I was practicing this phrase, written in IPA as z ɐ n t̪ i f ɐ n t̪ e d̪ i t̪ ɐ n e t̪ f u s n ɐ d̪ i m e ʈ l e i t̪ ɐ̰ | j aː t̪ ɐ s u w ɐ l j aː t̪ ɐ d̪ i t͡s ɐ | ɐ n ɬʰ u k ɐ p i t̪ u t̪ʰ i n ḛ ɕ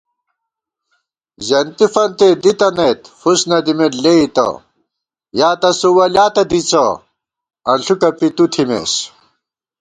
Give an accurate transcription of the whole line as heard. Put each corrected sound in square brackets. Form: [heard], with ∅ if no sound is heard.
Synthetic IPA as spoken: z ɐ n t̪ i f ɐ n t̪ e d̪ i t̪ ɐ n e t̪ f u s n ɐ d̪ i m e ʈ l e i t̪ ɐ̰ | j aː t̪ ɐ s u w ɐ l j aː t̪ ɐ d̪ i t͡s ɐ | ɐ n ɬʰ u k ɐ p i t̪ u t̪ʰ i [m] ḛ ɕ